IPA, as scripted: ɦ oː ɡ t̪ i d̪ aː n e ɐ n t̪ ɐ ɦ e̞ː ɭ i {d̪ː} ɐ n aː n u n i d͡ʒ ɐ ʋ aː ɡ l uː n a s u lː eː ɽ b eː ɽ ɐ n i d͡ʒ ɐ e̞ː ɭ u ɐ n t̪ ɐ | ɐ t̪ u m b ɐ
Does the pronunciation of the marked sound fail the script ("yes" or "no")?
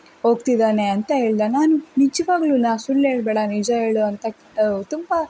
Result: yes